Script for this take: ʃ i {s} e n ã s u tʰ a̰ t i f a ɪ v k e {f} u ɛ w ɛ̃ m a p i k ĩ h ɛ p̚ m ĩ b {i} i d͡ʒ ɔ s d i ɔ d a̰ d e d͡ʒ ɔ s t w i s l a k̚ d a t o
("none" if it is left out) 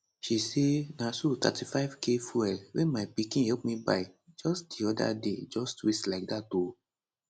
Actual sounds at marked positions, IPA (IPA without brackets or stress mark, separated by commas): s, f, a